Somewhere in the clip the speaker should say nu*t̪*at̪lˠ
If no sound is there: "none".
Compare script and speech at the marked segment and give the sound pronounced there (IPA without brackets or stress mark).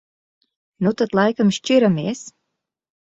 t̪